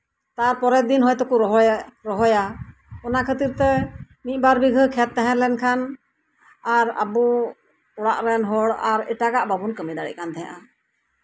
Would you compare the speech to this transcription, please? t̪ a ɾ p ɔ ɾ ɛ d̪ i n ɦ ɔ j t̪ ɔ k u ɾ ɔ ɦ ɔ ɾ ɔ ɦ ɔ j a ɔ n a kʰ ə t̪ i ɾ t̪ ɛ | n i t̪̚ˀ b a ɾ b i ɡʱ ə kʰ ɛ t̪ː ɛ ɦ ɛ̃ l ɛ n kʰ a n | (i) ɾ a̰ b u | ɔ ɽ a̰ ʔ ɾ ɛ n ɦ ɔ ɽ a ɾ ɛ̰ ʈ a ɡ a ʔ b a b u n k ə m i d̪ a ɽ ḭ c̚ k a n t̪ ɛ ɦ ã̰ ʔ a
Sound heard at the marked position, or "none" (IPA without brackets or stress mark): a